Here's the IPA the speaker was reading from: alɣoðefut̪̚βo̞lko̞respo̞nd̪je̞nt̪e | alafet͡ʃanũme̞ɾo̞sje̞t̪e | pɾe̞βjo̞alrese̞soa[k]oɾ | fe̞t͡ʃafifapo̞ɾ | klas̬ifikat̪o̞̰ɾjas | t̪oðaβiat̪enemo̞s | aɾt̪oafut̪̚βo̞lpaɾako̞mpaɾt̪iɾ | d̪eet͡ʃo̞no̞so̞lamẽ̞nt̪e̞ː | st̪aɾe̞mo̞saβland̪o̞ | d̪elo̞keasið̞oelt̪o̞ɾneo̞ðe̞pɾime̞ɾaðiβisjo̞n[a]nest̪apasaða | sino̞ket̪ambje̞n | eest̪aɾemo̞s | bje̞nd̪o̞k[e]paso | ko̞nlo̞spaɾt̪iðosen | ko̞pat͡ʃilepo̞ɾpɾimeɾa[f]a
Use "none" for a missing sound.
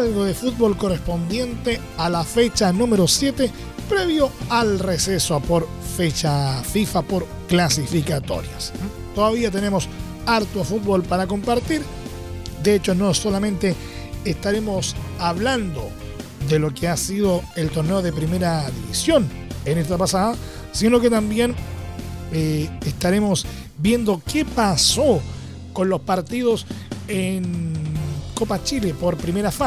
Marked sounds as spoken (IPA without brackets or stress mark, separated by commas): p, e, e, f